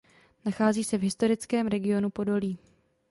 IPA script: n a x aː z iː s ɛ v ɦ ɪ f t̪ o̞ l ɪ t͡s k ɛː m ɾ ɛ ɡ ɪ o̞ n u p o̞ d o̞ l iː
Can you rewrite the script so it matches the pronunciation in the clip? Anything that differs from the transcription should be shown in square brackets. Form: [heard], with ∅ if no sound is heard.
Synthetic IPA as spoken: n a x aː z iː s ɛ v ɦ ɪ [s] t̪ o̞ [ɾ] ɪ t͡s k ɛː m ɾ ɛ ɡ ɪ o̞ n u p o̞ d o̞ l iː